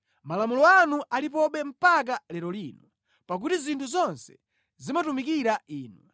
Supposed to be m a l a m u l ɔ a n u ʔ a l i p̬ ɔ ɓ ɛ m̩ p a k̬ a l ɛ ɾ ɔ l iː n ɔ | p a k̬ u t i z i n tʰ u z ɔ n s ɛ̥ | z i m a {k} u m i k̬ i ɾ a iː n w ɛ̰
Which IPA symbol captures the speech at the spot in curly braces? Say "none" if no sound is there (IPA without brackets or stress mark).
t